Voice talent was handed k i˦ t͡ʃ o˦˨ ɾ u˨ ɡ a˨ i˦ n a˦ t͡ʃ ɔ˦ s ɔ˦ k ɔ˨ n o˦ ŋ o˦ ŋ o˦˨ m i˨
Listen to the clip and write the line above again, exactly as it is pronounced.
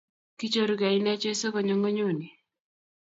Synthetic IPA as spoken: k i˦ t͡ʃ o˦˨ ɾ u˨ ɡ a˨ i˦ n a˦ t͡ʃ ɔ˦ s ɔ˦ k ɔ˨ ɲ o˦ ŋ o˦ ɲ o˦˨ n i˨